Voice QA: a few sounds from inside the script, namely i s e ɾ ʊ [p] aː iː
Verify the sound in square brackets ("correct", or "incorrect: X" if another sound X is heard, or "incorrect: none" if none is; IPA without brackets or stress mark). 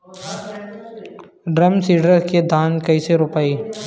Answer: correct